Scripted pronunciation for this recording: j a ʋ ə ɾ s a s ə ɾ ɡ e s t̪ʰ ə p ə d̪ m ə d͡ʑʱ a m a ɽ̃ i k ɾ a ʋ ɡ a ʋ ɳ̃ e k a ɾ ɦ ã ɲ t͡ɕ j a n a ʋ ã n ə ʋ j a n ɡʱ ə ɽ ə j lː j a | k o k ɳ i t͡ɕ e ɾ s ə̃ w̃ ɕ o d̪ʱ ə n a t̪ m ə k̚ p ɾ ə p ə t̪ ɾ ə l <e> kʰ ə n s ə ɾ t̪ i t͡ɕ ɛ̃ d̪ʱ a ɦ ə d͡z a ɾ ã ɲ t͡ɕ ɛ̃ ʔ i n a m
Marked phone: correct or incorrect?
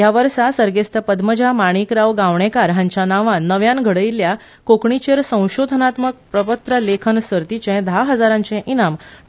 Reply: correct